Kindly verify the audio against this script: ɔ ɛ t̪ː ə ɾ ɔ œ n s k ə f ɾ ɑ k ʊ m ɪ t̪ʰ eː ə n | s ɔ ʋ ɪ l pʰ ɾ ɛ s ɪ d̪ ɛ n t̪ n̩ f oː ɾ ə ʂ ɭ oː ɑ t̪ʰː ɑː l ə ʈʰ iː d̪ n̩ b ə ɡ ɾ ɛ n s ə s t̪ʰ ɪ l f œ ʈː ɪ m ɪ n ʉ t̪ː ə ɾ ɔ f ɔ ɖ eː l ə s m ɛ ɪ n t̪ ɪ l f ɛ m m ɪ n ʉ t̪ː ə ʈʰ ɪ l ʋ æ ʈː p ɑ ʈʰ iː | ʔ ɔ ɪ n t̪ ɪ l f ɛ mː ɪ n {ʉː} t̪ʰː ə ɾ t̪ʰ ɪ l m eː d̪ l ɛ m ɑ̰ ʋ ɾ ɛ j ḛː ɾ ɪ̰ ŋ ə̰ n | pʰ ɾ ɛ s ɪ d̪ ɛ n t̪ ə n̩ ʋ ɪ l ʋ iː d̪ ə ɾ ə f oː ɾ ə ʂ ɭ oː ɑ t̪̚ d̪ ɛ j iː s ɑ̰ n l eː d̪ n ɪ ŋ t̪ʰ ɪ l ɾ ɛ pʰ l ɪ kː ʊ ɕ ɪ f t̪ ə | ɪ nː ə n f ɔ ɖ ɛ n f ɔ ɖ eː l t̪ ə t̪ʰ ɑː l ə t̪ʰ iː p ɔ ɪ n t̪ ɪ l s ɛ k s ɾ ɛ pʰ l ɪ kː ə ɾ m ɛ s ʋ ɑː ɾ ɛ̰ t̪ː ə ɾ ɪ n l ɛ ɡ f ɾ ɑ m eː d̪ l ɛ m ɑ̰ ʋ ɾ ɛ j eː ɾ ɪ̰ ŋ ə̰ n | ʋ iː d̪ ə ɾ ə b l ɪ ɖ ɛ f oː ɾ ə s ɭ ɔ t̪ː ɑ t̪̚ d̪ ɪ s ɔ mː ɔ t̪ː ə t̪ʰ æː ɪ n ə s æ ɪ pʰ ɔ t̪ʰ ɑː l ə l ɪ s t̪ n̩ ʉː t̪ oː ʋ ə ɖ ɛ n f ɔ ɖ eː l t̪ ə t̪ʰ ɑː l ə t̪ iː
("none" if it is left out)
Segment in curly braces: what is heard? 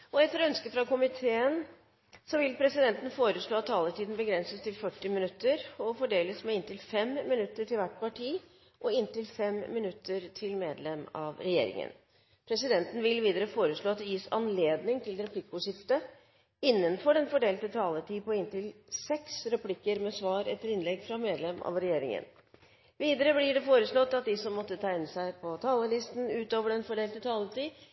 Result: ʉ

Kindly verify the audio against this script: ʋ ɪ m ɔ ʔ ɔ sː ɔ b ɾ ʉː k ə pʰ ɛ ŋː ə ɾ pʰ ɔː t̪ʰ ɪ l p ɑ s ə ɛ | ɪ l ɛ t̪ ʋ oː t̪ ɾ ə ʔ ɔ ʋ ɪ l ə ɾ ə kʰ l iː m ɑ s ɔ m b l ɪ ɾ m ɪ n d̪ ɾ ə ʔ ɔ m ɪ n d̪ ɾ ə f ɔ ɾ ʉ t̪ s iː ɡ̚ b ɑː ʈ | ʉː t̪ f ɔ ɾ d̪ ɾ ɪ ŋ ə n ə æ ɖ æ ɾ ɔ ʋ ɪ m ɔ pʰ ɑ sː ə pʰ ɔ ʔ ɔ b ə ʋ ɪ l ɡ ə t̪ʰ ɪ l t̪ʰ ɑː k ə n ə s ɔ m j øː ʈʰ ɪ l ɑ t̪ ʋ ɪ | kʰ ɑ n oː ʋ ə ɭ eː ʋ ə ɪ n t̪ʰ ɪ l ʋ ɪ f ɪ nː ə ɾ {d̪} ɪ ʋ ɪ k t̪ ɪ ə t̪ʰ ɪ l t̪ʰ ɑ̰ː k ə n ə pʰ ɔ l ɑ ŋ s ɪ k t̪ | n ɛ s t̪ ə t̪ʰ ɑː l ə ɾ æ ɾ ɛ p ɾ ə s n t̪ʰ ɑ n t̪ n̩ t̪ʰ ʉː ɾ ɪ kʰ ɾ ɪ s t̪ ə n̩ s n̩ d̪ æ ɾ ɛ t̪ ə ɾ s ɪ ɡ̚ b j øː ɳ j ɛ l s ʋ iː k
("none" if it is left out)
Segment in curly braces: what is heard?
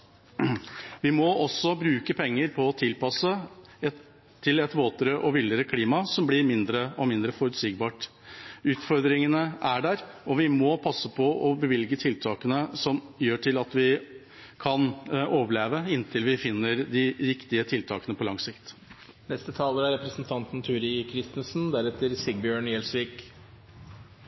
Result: d̪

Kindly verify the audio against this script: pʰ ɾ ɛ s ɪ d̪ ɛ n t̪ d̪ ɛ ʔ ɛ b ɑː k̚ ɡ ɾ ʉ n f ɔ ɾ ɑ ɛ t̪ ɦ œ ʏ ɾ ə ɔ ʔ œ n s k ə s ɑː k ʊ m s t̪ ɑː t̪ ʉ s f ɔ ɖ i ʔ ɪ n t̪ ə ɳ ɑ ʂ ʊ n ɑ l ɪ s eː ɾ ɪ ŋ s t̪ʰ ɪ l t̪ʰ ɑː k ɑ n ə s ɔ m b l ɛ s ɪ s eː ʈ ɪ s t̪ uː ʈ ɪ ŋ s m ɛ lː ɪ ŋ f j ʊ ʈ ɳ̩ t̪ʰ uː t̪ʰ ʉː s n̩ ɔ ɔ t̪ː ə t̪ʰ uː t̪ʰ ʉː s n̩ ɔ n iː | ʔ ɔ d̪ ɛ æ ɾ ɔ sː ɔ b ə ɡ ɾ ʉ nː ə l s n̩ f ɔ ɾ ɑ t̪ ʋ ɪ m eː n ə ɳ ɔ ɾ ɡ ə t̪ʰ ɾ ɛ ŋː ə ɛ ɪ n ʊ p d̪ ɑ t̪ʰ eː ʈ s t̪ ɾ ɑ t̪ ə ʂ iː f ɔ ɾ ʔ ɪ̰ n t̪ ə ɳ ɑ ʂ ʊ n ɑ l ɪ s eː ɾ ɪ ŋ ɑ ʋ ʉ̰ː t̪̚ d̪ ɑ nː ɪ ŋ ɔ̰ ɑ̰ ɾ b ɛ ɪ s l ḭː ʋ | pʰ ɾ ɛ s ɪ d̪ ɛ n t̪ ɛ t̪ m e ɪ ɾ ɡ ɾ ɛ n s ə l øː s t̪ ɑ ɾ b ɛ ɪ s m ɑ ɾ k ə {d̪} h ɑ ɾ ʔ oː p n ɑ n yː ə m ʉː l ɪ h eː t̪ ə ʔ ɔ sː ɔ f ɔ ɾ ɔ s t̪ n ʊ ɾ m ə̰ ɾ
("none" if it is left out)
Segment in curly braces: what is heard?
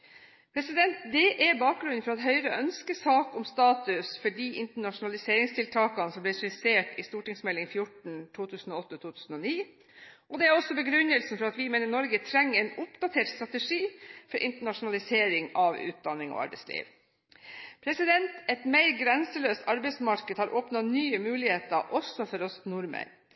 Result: d̪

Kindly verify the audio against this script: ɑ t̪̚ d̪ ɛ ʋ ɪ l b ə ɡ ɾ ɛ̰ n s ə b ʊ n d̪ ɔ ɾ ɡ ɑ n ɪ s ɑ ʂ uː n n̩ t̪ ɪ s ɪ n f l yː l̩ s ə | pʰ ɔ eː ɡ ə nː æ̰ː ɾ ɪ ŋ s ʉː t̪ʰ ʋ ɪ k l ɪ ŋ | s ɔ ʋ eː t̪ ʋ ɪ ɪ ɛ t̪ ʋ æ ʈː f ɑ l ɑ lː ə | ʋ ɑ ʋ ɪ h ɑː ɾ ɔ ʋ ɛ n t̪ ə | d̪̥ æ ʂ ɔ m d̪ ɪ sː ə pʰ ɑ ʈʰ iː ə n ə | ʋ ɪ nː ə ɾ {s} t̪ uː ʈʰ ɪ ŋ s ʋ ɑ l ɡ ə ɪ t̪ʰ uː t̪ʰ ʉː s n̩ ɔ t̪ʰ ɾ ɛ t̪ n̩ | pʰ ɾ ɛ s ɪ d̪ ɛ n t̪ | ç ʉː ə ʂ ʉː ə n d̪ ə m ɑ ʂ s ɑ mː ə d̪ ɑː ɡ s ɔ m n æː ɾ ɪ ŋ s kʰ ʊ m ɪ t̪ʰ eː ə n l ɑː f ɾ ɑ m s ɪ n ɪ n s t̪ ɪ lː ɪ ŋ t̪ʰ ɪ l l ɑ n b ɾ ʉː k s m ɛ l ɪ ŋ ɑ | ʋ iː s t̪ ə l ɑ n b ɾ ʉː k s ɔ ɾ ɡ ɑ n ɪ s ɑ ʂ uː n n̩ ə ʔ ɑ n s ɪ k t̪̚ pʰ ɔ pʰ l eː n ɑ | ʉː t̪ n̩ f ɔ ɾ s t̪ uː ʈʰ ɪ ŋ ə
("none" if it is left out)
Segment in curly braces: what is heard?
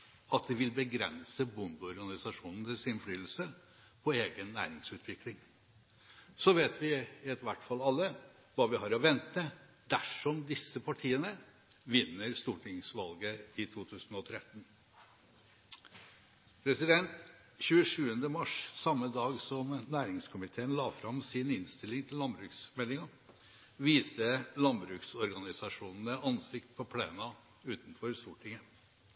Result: s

